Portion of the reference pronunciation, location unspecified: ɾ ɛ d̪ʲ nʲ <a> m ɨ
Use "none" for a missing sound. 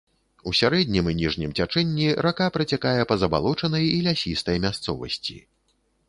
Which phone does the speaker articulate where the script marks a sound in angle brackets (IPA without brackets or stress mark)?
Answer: i